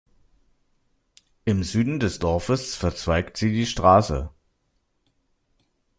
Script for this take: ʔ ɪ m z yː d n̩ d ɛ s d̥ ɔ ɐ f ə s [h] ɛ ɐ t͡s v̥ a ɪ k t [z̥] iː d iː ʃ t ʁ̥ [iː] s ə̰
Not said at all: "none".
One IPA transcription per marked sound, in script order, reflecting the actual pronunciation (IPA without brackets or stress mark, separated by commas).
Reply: f, z̥, aː